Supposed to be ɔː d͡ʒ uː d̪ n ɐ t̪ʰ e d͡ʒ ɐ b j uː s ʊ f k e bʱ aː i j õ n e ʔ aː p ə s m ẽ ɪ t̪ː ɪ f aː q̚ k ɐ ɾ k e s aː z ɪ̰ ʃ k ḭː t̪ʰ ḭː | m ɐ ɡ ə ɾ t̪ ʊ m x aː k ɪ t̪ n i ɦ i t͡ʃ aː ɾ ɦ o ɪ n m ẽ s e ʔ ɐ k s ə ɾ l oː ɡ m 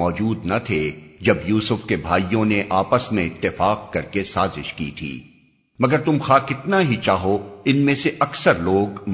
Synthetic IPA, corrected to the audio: ɔː d͡ʒ uː d̪ n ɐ t̪ʰ e d͡ʒ ɐ b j uː s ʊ f k e bʱ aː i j õ n e ʔ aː p ə s m ẽ ɪ t̪ː ɪ f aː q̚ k ɐ ɾ k e s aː z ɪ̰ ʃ k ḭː t̪ʰ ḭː | m ɐ ɡ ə ɾ t̪ ʊ m x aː k ɪ t̪ n a ɦ i t͡ʃ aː ɦ o ɪ n m ẽ s e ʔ ɐ k s ə ɾ l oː ɡ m